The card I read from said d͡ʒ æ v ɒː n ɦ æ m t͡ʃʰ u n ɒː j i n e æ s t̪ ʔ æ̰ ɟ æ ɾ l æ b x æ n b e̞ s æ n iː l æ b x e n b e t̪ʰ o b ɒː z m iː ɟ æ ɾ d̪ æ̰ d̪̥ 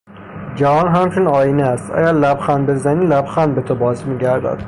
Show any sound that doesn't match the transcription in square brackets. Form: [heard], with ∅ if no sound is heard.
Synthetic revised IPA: d͡ʒ æ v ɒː n ɦ æ m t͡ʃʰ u n ɒː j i n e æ s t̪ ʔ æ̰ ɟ æ ɾ l æ b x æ n b e̞ [z] æ n iː l æ b x [æ] n b e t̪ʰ o b ɒː z m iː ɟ æ ɾ d̪ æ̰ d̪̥